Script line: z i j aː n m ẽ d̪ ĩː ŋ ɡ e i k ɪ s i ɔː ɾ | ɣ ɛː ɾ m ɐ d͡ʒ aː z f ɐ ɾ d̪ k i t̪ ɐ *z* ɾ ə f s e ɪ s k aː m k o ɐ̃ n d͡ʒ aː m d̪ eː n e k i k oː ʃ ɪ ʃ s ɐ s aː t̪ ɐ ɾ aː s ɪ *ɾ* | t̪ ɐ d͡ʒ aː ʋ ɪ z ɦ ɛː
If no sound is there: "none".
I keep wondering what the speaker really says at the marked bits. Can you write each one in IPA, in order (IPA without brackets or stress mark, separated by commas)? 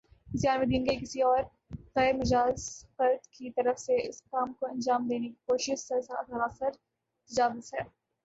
none, ɾ